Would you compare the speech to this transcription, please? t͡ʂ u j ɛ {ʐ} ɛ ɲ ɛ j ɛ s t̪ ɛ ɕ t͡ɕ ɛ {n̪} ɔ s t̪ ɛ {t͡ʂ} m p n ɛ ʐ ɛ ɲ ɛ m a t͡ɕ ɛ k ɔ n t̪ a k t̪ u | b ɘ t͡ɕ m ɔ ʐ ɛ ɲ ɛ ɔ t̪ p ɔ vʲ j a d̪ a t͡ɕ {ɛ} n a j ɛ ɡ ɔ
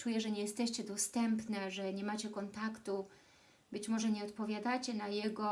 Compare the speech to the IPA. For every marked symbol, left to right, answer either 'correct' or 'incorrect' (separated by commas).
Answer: correct, incorrect, incorrect, correct